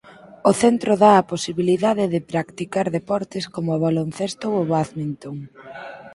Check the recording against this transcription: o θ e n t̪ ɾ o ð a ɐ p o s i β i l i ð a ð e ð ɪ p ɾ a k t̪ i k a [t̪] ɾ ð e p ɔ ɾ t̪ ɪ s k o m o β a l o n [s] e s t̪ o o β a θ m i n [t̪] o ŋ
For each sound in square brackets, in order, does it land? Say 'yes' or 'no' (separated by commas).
no, no, yes